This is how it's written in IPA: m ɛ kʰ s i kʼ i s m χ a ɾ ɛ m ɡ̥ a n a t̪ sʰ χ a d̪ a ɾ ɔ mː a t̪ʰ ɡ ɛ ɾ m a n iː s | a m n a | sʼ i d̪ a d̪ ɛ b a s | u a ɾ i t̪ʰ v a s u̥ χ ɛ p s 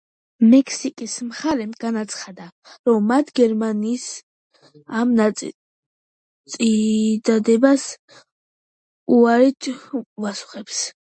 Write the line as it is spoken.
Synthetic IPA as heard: m ɛ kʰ s i kʼ i s m χ a ɾ ɛ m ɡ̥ a n a t̪ sʰ χ a d̪ a ɾ ɔ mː a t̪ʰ ɡ ɛ ɾ m a n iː s | a m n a | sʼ i d̪ a d̪ ɛ b a s | u a ɾ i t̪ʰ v a s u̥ χ ɛ p s